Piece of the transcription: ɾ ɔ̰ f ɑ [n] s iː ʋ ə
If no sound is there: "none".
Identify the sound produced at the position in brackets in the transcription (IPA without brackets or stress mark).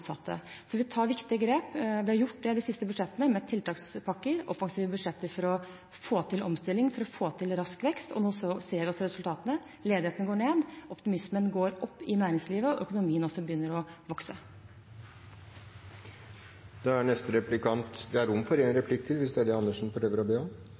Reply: ŋ